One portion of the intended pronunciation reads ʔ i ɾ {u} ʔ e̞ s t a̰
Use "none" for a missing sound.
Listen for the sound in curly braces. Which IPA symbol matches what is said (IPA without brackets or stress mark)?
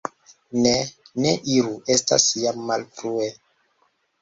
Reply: u